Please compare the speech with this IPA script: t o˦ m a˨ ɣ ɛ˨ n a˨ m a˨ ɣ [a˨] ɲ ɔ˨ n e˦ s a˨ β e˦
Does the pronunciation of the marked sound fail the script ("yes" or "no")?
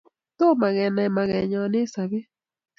yes